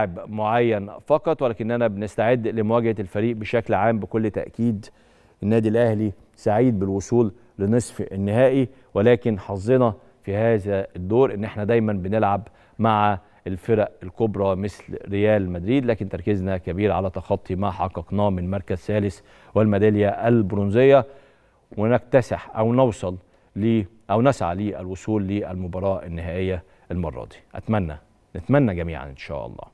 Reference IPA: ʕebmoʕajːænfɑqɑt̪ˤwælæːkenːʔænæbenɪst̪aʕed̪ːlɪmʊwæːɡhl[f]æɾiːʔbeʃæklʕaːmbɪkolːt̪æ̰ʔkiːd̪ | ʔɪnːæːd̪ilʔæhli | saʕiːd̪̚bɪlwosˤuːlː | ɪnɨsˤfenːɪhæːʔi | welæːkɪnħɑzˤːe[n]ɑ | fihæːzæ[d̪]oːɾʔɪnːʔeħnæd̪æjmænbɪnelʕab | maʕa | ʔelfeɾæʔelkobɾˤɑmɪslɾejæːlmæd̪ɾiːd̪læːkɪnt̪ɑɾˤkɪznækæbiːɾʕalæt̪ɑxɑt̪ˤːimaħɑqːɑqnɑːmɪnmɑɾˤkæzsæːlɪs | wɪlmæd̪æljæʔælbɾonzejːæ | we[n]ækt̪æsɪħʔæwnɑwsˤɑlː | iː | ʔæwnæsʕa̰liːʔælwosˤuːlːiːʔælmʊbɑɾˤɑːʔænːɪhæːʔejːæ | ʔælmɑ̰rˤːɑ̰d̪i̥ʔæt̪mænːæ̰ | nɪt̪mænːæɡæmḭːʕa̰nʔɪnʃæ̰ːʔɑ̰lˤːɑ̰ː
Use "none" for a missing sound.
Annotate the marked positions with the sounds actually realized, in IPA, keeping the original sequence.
f, n, d̪ː, n

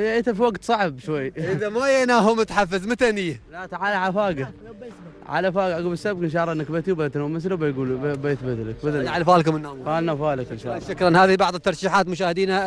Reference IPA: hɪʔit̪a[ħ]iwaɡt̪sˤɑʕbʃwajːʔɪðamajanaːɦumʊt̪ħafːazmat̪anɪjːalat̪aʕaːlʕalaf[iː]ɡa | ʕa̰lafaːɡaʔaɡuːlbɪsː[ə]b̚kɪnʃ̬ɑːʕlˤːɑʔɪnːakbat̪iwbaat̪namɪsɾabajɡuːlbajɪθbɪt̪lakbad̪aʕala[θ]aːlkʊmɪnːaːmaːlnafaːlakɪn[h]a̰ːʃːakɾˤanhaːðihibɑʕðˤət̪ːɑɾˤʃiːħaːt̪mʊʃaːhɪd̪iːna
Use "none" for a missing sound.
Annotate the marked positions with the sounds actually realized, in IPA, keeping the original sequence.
f, aː, a, f, ʃ

